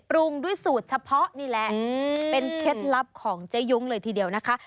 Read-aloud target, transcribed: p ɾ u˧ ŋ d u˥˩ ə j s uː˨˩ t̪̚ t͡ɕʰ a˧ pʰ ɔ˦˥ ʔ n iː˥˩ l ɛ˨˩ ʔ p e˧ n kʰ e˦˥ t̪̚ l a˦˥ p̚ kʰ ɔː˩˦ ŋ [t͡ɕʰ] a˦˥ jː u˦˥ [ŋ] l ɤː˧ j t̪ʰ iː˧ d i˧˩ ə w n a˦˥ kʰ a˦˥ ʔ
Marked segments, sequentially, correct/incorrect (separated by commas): incorrect, correct